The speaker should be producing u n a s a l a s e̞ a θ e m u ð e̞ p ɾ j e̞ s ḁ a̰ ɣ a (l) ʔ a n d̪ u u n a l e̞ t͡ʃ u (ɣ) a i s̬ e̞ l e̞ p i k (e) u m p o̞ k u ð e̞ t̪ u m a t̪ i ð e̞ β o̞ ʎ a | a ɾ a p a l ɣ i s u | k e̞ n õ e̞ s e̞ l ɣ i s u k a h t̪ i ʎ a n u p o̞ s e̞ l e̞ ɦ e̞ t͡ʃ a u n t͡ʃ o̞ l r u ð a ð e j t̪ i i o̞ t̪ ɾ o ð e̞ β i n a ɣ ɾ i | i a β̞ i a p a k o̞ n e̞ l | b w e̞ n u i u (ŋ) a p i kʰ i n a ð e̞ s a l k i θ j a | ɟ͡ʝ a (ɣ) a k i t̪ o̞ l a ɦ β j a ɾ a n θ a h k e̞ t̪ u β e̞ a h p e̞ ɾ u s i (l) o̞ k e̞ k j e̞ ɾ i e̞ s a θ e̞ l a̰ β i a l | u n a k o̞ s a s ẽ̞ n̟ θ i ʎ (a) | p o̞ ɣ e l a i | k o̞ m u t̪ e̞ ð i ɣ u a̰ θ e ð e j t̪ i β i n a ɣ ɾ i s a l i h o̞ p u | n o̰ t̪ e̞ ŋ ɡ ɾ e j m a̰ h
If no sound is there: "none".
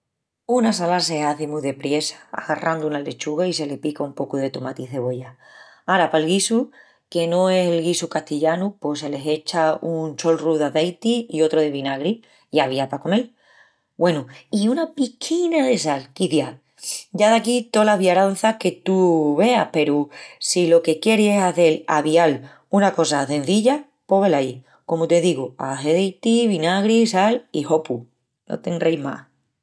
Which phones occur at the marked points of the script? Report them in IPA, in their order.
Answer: r, ɣ, a, n, ð, l, a

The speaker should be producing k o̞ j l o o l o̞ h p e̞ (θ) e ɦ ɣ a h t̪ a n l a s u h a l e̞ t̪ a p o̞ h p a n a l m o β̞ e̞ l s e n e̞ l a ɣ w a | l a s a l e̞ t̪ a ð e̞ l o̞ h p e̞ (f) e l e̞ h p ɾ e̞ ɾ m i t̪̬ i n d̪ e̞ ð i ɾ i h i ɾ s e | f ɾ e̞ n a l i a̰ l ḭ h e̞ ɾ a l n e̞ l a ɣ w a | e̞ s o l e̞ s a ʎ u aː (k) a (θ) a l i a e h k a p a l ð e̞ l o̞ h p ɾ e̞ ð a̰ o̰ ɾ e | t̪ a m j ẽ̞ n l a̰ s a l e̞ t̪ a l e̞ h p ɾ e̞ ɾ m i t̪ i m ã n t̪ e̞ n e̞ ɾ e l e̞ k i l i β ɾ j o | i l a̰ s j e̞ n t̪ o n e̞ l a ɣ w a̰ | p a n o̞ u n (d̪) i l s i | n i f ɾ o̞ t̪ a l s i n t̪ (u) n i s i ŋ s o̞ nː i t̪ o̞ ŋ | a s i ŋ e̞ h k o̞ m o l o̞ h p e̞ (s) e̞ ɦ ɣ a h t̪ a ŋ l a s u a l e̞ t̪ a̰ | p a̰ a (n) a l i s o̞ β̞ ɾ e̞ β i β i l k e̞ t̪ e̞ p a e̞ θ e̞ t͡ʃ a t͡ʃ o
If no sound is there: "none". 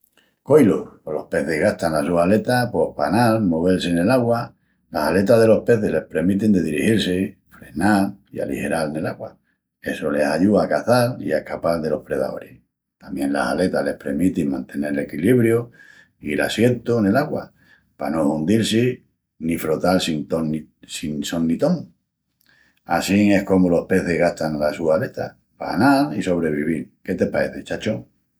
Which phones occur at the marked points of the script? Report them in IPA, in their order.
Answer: θ, θ, k, θ, d̪, o, θ, n

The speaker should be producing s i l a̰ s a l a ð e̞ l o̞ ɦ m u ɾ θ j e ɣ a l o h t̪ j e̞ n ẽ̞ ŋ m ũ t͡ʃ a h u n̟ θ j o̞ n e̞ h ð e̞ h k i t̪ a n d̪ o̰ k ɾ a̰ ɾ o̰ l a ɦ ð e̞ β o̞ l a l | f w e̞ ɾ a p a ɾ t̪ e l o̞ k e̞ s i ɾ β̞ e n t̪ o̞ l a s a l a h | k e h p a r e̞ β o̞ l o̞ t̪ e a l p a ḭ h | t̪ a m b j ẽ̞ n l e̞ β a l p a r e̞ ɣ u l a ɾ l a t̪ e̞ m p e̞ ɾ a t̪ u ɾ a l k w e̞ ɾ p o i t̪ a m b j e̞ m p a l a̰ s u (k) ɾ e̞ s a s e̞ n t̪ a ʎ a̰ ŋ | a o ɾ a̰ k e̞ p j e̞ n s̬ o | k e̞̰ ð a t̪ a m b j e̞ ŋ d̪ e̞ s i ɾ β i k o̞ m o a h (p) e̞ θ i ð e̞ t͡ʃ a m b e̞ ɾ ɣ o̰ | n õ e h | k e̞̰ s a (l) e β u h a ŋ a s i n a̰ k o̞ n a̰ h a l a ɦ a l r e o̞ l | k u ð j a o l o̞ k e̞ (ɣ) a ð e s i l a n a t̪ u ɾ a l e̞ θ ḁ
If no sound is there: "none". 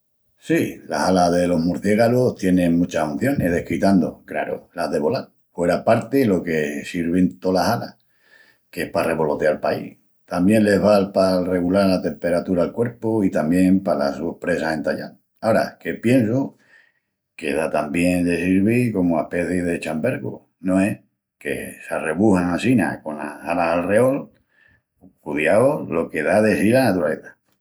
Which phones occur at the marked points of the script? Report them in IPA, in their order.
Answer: p, p, r, ð

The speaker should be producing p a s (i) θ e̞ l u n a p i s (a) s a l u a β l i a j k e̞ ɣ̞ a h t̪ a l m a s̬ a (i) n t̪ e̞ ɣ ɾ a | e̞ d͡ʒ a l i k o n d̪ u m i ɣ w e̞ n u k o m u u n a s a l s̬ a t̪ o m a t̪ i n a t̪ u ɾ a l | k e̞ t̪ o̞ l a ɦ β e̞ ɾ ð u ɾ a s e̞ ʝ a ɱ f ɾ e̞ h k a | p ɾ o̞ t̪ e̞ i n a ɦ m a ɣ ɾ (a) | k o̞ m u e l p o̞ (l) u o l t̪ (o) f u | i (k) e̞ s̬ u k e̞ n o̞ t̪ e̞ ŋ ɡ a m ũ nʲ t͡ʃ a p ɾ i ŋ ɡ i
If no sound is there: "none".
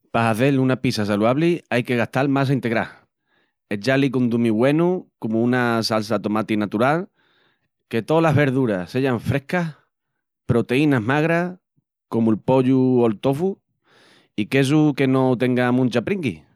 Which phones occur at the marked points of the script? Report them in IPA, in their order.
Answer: a, a, i, a, ʎ, o, k

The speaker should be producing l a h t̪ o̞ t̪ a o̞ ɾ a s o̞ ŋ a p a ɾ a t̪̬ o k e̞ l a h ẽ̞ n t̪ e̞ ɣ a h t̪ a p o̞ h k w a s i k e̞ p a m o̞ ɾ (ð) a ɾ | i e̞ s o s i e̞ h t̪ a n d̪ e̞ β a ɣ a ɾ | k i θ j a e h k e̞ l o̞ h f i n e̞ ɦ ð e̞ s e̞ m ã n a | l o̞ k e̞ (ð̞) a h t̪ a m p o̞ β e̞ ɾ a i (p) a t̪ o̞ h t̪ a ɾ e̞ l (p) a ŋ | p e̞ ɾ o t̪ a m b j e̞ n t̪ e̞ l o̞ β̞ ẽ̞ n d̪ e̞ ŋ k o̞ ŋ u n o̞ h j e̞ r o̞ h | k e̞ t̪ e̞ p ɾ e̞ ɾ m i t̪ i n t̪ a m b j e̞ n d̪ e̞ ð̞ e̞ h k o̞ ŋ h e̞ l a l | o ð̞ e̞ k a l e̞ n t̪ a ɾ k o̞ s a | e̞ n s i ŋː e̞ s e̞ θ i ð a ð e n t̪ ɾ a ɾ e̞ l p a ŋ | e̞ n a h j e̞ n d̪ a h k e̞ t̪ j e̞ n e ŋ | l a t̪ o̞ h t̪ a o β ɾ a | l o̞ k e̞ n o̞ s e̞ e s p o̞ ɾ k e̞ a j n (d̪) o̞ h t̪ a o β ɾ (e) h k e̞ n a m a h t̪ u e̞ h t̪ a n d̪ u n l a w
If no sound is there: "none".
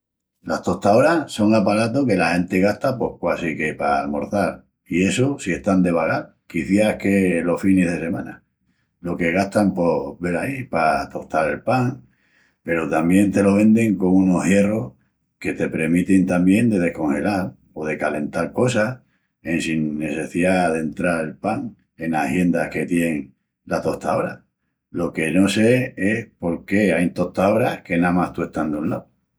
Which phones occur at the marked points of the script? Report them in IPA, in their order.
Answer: θ, ɣ̞, p, p, t̪, a

